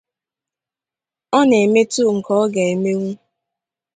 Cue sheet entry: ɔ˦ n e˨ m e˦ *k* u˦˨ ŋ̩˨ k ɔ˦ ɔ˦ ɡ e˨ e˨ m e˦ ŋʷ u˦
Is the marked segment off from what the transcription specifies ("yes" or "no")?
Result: yes